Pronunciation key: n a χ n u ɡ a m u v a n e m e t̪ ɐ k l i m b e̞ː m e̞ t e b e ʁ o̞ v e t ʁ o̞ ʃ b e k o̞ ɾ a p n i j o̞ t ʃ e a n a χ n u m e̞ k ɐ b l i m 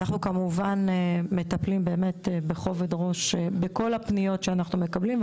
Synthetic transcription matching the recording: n a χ n u k a m u v a n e m e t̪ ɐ p l i m b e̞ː m e̞ t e b e χ o̞ v e d ʁ o̞ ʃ b e k o̞ l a p n i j o̞ t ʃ e a n a χ n u m e̞ k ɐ b l i m